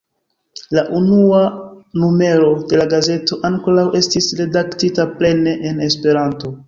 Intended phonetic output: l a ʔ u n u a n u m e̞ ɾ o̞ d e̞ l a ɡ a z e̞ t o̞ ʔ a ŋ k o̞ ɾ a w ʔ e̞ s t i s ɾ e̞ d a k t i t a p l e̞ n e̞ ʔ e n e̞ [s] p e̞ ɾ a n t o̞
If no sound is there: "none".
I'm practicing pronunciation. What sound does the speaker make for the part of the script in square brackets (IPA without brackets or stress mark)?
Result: s